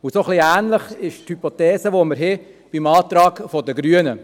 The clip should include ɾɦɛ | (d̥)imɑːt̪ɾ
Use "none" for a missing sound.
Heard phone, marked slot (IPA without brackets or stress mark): b̥